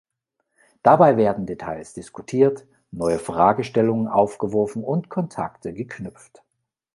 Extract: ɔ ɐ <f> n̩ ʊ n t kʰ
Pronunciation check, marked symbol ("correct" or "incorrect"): correct